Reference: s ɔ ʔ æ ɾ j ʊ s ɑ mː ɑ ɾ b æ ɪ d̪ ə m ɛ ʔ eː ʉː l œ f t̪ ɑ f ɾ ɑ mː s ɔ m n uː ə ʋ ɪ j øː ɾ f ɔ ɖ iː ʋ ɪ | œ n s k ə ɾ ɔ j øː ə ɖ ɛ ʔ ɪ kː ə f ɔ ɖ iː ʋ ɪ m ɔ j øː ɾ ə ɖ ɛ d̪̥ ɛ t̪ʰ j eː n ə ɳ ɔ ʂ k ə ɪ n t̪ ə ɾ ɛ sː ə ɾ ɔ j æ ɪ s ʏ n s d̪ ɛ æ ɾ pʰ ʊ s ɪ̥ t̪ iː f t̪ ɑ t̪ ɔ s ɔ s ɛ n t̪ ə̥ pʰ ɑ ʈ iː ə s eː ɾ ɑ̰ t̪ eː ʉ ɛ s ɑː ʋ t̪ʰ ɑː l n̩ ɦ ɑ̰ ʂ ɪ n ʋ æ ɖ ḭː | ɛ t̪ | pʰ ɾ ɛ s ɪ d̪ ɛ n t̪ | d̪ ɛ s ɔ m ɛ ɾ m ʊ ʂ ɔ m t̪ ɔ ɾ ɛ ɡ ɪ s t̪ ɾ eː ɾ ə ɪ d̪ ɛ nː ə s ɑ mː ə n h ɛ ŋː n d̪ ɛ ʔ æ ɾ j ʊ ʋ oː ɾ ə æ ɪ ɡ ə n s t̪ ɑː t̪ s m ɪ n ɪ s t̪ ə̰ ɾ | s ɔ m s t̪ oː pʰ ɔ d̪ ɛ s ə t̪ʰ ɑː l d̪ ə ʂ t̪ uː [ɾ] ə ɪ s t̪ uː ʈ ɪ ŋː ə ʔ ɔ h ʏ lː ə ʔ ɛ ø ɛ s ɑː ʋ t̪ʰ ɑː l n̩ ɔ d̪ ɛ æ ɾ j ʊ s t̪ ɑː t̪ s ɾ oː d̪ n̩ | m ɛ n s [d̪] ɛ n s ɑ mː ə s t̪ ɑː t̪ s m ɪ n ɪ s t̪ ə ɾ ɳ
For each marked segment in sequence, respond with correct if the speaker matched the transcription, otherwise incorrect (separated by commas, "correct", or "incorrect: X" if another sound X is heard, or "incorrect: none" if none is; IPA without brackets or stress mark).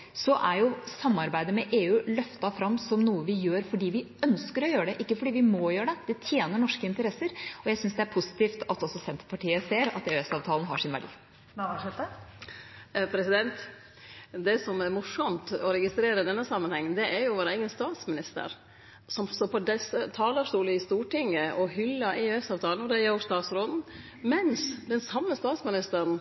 incorrect: l, correct